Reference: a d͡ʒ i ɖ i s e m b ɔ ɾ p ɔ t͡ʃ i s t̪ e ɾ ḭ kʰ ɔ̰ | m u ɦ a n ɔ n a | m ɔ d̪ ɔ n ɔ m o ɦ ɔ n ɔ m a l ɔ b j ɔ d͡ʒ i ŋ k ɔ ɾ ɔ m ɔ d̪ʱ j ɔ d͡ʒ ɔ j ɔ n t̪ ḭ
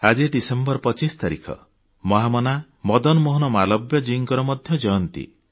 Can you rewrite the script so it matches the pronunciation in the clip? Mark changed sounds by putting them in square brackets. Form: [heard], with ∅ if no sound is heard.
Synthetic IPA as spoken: a d͡ʒ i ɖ i s e m b ɔ ɾ p ɔ t͡ʃ i s t̪ [a] ɾ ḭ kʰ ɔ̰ | m [ɔ] ɦ a [m] ɔ n a | m ɔ d̪ ɔ n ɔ m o ɦ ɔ n ɔ m a l ɔ b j ɔ d͡ʒ i ŋ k ɔ ɾ ɔ m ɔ d̪ʱ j ɔ d͡ʒ ɔ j ɔ n t̪ ḭ